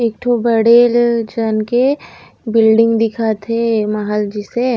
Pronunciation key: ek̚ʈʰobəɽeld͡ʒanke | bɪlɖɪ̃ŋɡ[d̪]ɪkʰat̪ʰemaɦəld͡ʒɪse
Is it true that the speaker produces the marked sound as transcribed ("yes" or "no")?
yes